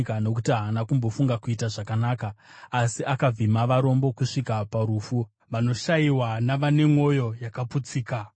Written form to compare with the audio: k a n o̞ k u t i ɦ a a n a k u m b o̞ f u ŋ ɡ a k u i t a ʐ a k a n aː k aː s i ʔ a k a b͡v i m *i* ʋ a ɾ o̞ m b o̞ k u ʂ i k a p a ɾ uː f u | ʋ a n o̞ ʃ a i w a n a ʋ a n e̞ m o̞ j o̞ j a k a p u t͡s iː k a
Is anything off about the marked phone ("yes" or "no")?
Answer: yes